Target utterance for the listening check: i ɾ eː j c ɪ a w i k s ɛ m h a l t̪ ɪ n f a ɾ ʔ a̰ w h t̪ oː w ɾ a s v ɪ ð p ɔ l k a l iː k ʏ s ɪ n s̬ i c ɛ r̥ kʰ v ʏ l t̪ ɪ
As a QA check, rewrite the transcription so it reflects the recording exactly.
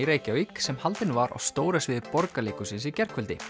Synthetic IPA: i ɾ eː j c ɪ a w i k s ɛ m h a l t̪ ɪ n v a ɾ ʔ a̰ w s t̪ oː w ɾ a s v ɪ ð p ɔ ɾ k a l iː k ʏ s ɪ n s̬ i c ɛ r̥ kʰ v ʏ l t̪ ɪ